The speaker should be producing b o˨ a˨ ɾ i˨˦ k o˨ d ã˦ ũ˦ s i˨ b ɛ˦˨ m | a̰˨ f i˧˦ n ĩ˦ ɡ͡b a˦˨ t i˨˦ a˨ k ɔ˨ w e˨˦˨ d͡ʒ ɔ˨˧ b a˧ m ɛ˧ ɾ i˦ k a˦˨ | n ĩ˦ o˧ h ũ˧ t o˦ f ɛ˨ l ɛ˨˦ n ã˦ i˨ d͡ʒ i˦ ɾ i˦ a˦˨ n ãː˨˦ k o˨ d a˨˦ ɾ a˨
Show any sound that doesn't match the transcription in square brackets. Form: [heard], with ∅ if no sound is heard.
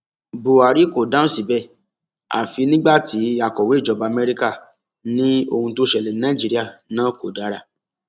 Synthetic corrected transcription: b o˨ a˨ ɾ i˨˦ k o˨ d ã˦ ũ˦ s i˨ b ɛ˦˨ [∅] | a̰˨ f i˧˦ n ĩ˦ ɡ͡b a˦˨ t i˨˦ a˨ k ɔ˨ w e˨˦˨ d͡ʒ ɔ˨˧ b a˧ m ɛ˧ ɾ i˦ k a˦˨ | n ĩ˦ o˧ h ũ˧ t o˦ [ʃ] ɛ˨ l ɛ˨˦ n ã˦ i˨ d͡ʒ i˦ ɾ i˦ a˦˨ n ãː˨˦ k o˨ d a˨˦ ɾ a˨